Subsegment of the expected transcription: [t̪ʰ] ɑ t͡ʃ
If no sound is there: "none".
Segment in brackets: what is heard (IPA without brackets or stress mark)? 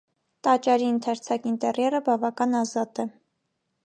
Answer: t̪